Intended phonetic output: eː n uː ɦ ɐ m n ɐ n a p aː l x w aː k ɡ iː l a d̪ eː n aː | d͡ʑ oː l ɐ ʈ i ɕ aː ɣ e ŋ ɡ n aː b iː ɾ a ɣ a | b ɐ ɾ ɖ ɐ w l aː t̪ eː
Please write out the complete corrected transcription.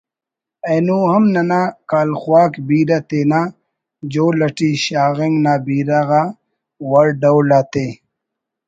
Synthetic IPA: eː n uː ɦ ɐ m n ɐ n a k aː l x w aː k b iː ɾ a t̪ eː n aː | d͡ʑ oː l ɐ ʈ i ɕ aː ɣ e ŋ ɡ n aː b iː ɾ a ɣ a | w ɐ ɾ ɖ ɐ w l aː t̪ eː